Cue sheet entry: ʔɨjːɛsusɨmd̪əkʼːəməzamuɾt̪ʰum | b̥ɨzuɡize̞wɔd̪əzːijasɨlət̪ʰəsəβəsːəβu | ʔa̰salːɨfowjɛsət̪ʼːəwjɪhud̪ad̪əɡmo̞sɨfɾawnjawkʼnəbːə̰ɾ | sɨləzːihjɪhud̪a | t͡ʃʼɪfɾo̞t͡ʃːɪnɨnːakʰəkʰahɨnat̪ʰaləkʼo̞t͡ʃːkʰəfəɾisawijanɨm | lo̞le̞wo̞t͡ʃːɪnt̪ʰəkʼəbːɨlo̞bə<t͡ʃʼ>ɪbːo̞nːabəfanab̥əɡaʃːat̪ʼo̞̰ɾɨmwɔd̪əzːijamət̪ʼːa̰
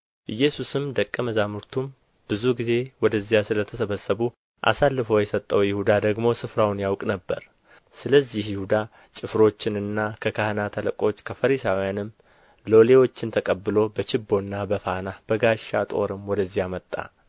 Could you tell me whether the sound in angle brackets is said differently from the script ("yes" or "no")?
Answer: yes